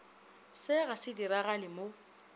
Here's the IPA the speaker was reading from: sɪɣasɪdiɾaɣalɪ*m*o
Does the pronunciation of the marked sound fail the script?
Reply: no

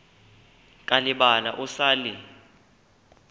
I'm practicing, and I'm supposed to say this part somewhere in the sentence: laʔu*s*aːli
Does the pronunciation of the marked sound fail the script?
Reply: no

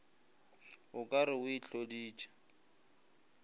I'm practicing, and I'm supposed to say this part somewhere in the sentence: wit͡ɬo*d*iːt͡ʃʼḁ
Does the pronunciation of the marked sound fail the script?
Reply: no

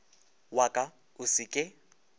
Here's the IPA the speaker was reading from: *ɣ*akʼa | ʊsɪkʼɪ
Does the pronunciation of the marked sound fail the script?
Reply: yes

